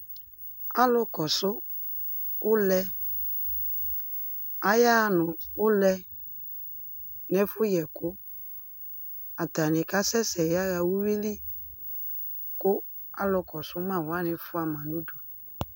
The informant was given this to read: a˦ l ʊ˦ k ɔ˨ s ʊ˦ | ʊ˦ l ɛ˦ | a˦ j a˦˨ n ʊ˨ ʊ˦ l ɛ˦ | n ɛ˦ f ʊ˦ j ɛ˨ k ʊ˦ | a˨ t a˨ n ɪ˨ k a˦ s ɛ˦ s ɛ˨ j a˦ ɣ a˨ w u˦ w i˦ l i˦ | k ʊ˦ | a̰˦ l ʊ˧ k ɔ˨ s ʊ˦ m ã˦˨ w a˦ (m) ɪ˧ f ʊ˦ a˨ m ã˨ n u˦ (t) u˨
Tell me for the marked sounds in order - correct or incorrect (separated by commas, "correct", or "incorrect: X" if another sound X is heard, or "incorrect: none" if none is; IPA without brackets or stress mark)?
incorrect: n, incorrect: d